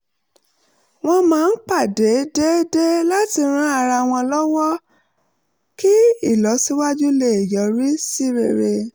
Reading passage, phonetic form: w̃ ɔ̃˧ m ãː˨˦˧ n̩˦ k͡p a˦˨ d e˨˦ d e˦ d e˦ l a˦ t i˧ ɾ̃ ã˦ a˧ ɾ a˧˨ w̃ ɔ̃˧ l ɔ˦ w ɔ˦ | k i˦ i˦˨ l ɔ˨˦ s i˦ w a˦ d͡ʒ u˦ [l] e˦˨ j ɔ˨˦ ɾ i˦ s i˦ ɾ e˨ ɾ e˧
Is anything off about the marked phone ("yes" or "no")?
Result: no